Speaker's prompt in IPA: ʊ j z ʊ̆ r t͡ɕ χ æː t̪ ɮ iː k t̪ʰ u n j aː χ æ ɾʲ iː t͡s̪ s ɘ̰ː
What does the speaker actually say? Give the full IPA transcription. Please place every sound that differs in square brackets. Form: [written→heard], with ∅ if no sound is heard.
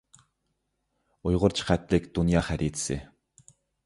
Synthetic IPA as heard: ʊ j [z→ʁ] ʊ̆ r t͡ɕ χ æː t̪ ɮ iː k [t̪ʰ→t̪] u n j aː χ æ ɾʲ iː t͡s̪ s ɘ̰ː

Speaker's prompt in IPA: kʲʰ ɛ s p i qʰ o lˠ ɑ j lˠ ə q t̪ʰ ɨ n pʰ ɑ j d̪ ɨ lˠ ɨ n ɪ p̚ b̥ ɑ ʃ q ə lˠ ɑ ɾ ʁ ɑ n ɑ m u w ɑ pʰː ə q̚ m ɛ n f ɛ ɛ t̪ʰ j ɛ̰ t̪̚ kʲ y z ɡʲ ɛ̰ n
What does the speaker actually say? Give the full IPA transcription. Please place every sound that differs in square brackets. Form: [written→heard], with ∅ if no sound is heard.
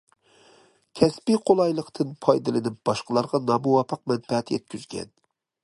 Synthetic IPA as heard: kʲʰ ɛ s p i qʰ o lˠ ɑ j lˠ ə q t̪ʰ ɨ n pʰ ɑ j d̪ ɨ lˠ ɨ n ɪ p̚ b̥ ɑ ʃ q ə lˠ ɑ ɾ ʁ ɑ n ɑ m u w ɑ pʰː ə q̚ m ɛ n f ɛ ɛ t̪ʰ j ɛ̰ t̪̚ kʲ y z ɡʲ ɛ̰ n

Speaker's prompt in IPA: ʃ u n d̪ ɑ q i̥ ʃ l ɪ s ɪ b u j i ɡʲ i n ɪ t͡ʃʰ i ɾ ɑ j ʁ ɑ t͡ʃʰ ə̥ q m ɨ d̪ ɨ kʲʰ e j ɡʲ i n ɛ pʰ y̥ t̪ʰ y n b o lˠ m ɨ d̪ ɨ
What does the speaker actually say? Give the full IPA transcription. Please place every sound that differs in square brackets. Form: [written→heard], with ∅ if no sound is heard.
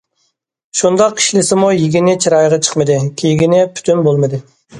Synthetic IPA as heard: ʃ u n d̪ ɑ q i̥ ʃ l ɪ s ɪ [b→m] u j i ɡʲ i n ɪ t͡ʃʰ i ɾ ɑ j ʁ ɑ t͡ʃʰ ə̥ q m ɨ d̪ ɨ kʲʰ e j ɡʲ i n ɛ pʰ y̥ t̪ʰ y n b o lˠ m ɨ d̪ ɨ

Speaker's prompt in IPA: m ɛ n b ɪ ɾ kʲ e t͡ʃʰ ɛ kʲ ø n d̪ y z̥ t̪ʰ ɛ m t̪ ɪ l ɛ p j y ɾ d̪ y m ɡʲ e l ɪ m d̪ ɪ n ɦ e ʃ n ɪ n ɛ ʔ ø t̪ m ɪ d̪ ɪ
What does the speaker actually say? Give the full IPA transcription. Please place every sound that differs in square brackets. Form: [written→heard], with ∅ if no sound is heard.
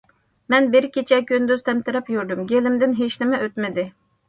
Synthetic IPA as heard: m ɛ n b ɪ ɾ kʲ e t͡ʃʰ ɛ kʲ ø n d̪ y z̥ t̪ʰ ɛ m t̪ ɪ [l→ɾ] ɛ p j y ɾ d̪ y m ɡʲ e l ɪ m d̪ ɪ n ɦ e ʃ n ɪ [n→m] ɛ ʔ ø t̪ m ɪ d̪ ɪ

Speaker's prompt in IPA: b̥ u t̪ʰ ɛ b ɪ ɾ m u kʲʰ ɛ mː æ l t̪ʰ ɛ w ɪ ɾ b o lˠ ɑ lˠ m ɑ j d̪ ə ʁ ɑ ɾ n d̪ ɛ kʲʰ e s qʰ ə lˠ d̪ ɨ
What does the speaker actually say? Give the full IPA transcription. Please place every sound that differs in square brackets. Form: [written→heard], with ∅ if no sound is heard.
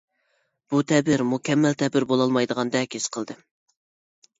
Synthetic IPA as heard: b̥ u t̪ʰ ɛ b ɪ ɾ m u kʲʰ ɛ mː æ l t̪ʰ ɛ [w→b] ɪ ɾ b o lˠ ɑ lˠ m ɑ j d̪ ə ʁ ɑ [ɾ→∅] n d̪ ɛ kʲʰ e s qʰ ə lˠ d̪ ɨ

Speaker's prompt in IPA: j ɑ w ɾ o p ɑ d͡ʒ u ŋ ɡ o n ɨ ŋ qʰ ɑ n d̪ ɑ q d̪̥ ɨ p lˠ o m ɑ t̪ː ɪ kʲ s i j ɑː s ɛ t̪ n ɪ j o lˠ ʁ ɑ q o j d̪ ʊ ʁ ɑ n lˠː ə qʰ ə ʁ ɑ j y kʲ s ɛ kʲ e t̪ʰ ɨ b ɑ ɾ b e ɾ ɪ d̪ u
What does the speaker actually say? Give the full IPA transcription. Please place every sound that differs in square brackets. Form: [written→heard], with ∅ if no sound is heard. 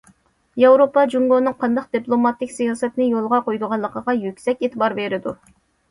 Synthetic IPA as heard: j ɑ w ɾ o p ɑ d͡ʒ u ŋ ɡ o n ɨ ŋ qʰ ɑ n d̪ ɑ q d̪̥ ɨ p lˠ o m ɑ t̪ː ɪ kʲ s i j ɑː s ɛ t̪ n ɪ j o lˠ ʁ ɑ q o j d̪ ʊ ʁ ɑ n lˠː ə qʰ ə ʁ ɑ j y kʲ s ɛ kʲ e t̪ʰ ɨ b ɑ ɾ b e ɾ ɪ d̪ u

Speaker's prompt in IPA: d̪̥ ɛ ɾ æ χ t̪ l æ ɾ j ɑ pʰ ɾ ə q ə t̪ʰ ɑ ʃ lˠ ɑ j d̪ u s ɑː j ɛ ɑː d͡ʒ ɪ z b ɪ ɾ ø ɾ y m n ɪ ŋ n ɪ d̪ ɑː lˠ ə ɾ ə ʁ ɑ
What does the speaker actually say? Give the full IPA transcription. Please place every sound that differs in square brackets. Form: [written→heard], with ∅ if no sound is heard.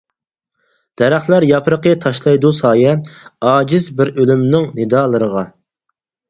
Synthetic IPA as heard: d̪̥ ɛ ɾ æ χ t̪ l æ ɾ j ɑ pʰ ɾ ə q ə t̪ʰ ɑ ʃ lˠ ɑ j d̪ u s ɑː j ɛ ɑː d͡ʒ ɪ z b ɪ ɾ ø [ɾ→l] y m n ɪ ŋ n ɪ d̪ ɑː lˠ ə ɾ ə ʁ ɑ

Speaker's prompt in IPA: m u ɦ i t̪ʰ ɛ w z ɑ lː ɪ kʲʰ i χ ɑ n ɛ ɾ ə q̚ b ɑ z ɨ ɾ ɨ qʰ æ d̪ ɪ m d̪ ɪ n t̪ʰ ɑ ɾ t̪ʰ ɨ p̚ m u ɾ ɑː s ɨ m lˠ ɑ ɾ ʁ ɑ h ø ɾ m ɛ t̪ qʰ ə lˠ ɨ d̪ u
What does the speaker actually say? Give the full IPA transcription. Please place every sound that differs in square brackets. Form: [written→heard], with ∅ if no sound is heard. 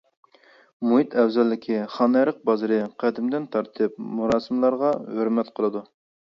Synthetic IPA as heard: m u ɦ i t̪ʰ ɛ w z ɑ lː ɪ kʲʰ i χ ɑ n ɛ ɾ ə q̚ b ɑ z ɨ ɾ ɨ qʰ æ d̪ ɪ m d̪ ɪ n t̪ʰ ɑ ɾ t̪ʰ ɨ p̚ m u ɾ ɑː s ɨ m lˠ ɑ ɾ ʁ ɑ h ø ɾ m ɛ t̪ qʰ ə lˠ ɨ d̪ u

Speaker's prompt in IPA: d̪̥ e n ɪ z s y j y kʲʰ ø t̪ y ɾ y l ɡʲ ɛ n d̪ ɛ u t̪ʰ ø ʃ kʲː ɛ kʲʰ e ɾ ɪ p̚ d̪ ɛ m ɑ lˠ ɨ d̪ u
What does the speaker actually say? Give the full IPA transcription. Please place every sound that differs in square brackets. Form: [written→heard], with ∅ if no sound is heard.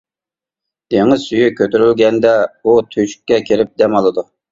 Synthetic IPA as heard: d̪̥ e [n→ŋ] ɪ z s y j y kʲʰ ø t̪ y ɾ y l ɡʲ ɛ n d̪ ɛ u t̪ʰ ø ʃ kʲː ɛ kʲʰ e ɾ ɪ p̚ d̪ ɛ m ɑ lˠ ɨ d̪ u

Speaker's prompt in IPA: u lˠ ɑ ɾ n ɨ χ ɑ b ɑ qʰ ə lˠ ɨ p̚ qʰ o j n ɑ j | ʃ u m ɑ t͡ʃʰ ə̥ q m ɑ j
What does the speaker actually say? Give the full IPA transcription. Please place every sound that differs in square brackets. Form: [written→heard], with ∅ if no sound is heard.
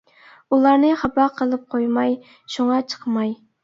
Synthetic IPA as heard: u lˠ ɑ ɾ n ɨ χ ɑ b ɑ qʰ ə lˠ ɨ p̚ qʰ o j [n→m] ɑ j | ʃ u [m→ŋ] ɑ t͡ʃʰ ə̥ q m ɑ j

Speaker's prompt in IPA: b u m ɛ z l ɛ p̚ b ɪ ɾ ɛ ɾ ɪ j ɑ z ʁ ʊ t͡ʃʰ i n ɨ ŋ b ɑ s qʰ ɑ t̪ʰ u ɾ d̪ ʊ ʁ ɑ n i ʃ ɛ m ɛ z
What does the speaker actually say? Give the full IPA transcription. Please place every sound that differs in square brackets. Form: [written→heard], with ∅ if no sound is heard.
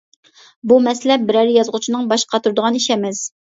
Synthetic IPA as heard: b u m ɛ [z→s] l ɛ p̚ b ɪ ɾ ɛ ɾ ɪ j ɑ z ʁ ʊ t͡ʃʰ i n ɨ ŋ b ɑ [s→ʃ] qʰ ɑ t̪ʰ u ɾ d̪ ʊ ʁ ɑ n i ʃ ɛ m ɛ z

